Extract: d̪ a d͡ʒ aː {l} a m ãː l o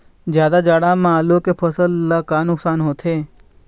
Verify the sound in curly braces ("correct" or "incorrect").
incorrect